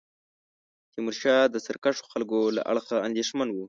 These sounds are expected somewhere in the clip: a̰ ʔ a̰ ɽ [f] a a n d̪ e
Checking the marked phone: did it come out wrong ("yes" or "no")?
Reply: yes